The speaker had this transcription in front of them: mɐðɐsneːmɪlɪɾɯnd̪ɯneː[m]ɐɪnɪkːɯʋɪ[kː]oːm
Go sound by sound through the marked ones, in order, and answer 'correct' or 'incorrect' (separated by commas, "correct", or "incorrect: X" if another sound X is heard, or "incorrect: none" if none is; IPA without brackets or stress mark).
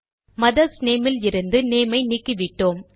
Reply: correct, incorrect: ʈː